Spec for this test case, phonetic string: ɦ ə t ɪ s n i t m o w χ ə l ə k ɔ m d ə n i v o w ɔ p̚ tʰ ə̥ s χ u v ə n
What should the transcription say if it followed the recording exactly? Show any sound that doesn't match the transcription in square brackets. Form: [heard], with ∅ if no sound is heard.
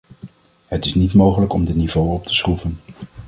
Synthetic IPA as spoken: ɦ ə t ɪ s n i t m o w χ ə l ə k ɔ m d ə n i v o w ɔ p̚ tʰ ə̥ s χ u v ə n